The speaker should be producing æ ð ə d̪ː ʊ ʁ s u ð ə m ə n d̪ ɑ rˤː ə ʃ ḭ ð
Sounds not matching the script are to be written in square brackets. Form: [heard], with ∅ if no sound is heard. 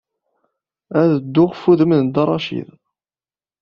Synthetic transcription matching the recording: æ ð ə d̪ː ʊ ʁ [f] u ð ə m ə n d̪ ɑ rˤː [ɑ] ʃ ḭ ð